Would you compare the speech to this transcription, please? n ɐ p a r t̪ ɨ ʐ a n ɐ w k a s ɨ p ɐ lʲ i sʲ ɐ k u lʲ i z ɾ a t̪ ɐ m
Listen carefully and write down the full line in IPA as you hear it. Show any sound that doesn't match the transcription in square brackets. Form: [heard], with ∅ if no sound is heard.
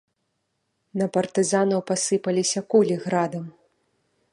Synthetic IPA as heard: n ɐ p [ɐ] r t̪ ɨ [z] a n ɐ w [p] a s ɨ p ɐ lʲ i sʲ ɐ k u lʲ i [ɣ] ɾ a [d̪] ɐ m